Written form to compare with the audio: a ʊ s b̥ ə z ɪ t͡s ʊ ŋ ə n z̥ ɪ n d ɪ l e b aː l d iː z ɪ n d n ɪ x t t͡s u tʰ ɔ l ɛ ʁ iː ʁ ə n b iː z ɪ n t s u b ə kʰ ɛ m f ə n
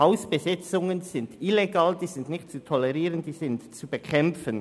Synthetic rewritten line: a ʊ s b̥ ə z ɪ t͡s ʊ ŋ ə n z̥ ɪ n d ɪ l e ɡ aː l d iː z ɪ n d n ɪ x t t͡s u tʰ ɔ l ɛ ʁ iː ʁ ə n d iː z ɪ n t t͡s u b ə kʰ ɛ m f ə n